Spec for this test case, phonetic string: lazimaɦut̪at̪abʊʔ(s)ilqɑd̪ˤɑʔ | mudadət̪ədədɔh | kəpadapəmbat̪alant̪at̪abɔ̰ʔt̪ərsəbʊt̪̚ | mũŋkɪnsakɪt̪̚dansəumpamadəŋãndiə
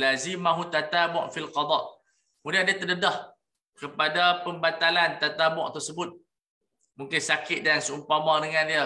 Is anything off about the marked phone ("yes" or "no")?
yes